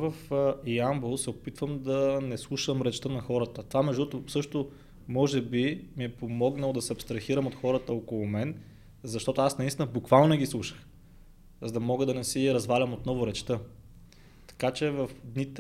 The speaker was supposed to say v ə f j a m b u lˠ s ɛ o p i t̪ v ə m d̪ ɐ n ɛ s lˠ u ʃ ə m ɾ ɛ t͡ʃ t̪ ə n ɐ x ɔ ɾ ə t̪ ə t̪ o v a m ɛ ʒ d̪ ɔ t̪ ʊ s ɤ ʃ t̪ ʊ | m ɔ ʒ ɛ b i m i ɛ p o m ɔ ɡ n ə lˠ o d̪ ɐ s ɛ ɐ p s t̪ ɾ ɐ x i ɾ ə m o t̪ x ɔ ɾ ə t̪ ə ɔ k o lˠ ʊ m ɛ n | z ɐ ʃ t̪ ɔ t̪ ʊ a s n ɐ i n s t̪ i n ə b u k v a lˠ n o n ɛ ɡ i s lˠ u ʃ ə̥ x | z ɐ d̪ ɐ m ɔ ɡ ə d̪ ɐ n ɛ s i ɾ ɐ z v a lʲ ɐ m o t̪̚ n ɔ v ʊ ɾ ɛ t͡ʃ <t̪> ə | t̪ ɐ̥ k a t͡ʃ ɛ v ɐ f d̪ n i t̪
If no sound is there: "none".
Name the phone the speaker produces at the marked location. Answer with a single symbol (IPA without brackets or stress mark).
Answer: t̪